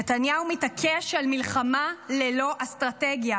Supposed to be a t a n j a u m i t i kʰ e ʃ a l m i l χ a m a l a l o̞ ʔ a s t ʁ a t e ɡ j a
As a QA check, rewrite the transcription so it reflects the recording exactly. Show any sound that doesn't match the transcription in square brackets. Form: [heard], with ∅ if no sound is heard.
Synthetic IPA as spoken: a t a n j a u m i t [a] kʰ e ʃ a l m i l χ a m a l [e] l o̞ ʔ a s t ʁ a t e ɡ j a